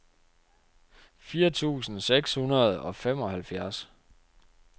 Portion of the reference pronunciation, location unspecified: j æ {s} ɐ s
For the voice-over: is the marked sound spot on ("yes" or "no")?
no